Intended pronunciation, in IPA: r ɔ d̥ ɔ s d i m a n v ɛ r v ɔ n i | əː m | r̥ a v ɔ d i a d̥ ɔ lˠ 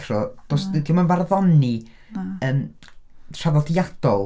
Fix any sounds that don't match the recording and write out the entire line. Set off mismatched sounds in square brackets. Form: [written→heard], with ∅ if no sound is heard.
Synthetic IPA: r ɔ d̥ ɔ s d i m a n v [ɛ→a] r [v→ð] ɔ n i | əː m | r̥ a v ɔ d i a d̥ ɔ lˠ